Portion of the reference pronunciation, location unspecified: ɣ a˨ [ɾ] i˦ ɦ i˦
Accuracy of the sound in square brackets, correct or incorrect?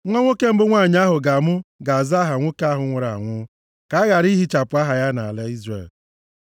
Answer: correct